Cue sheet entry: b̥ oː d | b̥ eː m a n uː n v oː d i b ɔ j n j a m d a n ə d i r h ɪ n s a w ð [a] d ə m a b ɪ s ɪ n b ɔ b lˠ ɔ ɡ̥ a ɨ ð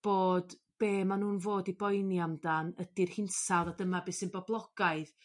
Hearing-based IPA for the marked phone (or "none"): a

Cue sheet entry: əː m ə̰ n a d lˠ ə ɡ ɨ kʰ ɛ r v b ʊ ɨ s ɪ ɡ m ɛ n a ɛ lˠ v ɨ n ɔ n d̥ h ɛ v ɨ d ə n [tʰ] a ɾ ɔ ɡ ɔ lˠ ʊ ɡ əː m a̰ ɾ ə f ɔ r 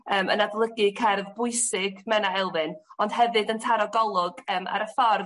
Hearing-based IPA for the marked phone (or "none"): tʰ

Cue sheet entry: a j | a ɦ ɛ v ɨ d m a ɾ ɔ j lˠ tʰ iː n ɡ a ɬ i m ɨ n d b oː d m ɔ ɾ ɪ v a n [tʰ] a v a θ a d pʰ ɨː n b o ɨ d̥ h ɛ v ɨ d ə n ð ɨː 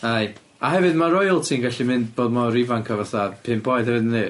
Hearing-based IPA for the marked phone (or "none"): kʰ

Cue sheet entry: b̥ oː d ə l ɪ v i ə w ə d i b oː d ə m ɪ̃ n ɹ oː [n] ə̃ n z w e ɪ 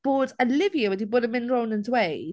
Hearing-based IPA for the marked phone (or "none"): n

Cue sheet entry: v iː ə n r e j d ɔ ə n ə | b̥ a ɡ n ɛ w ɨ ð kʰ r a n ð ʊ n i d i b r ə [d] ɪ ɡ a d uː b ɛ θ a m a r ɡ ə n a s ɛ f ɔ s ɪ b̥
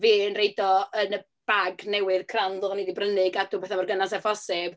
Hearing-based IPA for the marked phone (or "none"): n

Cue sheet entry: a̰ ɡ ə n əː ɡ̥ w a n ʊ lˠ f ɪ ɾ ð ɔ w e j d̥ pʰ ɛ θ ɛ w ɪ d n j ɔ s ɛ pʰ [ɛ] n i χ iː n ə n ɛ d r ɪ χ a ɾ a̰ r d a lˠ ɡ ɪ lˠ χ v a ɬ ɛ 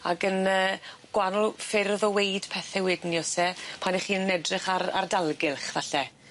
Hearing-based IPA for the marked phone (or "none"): a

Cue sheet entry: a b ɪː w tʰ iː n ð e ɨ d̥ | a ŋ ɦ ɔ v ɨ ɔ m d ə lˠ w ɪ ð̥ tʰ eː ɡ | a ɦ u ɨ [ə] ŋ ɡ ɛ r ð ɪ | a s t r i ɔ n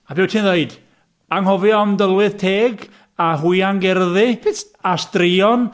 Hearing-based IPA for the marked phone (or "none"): a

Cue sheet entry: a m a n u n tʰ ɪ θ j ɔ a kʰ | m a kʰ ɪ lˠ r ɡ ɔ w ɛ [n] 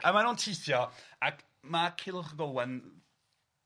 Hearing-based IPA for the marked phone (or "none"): n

